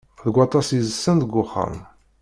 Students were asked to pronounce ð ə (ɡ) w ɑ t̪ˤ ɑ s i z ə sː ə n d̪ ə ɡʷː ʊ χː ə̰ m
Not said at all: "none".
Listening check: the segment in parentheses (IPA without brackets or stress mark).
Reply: ɡ